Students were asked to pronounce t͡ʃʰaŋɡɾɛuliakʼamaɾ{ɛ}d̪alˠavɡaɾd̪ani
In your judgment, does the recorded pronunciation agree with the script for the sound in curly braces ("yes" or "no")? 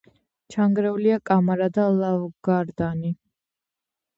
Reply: no